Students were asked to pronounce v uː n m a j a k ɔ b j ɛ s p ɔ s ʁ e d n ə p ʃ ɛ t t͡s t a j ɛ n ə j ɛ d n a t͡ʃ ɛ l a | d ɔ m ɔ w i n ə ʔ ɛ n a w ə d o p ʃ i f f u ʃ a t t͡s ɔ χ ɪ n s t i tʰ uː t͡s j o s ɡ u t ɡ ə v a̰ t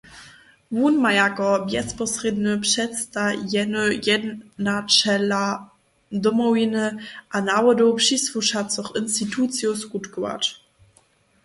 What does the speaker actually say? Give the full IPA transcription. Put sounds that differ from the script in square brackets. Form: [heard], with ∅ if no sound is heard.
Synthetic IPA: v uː n m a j a k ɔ b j ɛ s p ɔ s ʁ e d n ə p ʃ ɛ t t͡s t a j ɛ n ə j ɛ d n a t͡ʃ ɛ l a | d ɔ m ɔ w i n ə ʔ [a] n a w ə d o p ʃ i [s] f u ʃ a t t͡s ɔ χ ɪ n s t i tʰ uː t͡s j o s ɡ u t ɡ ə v a̰ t

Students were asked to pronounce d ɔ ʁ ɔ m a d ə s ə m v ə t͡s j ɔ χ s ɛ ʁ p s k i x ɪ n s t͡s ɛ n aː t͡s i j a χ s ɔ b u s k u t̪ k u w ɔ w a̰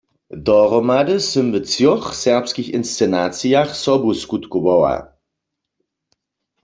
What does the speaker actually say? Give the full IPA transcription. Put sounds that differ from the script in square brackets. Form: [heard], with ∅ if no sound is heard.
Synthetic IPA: d ɔ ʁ ɔ m a d ə s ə m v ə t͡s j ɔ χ s ɛ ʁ p s k i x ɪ n s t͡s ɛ n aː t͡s i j a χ s ɔ b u s k u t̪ k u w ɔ w a̰

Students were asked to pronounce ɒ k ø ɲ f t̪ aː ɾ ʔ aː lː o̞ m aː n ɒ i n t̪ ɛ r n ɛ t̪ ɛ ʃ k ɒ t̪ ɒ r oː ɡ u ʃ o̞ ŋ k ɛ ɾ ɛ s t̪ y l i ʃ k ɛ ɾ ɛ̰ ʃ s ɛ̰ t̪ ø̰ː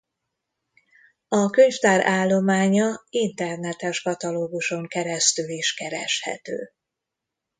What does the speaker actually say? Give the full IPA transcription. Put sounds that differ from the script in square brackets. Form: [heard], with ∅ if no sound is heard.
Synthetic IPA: ɒ k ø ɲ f t̪ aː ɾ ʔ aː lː o̞ m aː [ɲ] ɒ i n t̪ ɛ r n ɛ t̪ ɛ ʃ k ɒ t̪ ɒ [l] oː ɡ u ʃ o̞ ŋ k ɛ ɾ ɛ s t̪ y l i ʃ k ɛ ɾ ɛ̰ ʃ [h] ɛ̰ t̪ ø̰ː

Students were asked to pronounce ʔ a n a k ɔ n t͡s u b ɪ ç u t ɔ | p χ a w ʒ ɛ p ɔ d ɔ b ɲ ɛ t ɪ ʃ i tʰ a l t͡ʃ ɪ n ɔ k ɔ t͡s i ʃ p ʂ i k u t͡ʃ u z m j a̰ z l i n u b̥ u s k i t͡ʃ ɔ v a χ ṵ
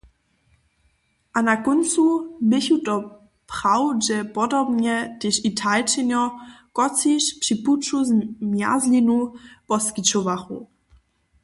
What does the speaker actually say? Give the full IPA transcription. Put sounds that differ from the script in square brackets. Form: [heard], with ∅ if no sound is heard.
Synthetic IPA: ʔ a n a k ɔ n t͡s u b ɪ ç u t ɔ | p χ a w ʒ ɛ p ɔ d ɔ b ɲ ɛ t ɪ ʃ i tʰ a l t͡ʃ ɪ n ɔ k ɔ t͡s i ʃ p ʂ i [p] u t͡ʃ u z m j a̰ z l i n u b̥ [ɔ] s k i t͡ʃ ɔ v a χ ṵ

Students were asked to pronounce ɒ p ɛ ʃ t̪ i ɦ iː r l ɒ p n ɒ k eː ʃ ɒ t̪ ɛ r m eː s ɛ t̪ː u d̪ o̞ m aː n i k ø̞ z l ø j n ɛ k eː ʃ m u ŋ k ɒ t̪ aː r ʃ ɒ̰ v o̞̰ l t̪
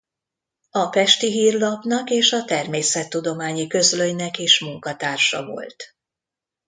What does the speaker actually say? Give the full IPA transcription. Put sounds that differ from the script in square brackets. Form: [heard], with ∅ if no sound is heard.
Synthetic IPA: ɒ p ɛ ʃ t̪ i ɦ iː r l ɒ p n ɒ k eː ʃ ɒ t̪ ɛ r m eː s ɛ t̪ː u d̪ o̞ m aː [ɲ] i k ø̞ z l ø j n ɛ k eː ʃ m u ŋ k ɒ t̪ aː r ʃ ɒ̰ v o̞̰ l t̪

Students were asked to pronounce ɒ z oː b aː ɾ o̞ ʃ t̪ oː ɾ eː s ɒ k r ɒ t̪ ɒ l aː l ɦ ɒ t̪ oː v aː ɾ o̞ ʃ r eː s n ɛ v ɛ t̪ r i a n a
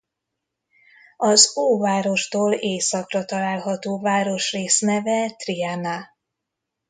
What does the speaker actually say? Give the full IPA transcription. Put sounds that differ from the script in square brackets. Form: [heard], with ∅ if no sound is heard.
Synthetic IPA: ɒ z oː [v] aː ɾ o̞ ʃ t̪ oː [l] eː s ɒ k r ɒ t̪ ɒ l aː l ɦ ɒ t̪ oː v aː ɾ o̞ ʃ r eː s n ɛ v ɛ t̪ r i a n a

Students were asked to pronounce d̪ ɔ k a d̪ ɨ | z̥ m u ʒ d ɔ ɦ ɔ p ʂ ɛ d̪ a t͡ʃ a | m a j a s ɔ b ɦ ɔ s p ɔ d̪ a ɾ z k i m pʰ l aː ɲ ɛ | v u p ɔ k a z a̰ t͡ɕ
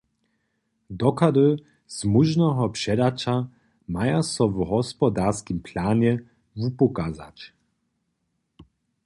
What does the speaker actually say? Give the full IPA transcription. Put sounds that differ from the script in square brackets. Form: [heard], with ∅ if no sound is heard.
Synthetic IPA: d̪ ɔ k a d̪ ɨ | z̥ m u ʒ [n] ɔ ɦ ɔ p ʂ ɛ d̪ a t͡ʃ a | m a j a s ɔ [v] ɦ ɔ s p ɔ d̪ a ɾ [s] k i m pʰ l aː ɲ ɛ | v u p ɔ k a z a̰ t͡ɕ

